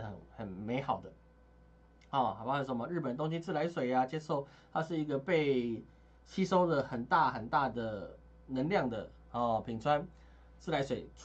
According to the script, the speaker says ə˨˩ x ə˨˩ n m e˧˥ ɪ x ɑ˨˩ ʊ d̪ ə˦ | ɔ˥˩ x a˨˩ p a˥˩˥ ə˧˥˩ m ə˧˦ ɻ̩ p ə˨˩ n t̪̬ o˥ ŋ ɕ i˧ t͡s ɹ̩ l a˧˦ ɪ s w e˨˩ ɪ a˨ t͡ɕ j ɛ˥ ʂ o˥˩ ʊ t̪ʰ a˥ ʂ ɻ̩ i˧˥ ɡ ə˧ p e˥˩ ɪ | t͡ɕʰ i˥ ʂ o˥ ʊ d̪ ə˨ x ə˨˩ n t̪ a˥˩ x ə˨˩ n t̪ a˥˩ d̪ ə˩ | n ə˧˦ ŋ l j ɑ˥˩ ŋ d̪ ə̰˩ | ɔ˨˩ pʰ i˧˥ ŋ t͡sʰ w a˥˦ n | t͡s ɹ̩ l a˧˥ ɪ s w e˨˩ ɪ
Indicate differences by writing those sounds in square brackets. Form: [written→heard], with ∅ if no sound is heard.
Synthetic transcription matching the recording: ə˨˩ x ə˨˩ n m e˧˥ ɪ x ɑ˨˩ ʊ d̪ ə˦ | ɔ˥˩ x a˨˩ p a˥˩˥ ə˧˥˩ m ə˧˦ ɻ̩ p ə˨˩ n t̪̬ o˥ ŋ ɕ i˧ t͡s ɹ̩ l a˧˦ ɪ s w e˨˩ ɪ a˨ t͡ɕ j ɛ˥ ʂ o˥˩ ʊ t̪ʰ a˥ ʂ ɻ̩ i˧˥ ɡ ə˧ p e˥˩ ɪ | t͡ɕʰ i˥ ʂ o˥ ʊ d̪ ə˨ x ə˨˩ n t̪ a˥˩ x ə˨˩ n t̪ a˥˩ d̪ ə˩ | n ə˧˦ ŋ l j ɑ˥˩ ŋ d̪ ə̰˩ | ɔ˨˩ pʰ [i˧˥→i˨˩] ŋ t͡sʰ w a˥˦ n | t͡s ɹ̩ l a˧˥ ɪ s w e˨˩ ɪ